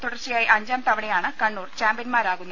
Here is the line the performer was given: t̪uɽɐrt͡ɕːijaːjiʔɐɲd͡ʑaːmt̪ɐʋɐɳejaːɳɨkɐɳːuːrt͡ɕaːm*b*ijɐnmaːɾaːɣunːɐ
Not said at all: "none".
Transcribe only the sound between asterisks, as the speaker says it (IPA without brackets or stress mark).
b